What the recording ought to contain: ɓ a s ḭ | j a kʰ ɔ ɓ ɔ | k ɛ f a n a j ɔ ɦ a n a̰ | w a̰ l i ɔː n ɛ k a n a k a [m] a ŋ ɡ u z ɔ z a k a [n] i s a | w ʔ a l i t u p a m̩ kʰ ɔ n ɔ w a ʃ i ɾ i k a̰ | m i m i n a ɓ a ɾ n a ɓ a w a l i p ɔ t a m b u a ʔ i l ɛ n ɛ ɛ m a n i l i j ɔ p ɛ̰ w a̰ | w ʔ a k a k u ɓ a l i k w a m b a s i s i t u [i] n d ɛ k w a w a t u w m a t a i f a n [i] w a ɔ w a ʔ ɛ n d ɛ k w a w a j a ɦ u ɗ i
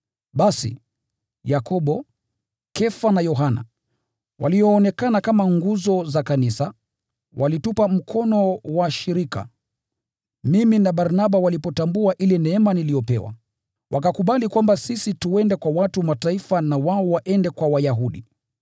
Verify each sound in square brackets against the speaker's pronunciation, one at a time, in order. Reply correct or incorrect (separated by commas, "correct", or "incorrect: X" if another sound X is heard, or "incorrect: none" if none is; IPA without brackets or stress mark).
correct, correct, incorrect: ɛ, incorrect: a